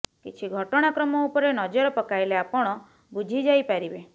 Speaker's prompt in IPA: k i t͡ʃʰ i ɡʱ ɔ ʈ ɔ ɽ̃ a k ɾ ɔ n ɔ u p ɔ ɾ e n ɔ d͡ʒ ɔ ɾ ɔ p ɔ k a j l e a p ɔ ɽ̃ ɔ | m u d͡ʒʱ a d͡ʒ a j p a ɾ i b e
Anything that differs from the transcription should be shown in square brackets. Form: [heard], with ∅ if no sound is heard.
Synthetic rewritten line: k i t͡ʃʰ i ɡʱ ɔ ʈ ɔ ɽ̃ a k ɾ ɔ [m] ɔ u p ɔ ɾ e n ɔ d͡ʒ ɔ ɾ ɔ p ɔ k a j l e a p ɔ ɽ̃ ɔ | [b] u d͡ʒʱ [i] d͡ʒ a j p a ɾ i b e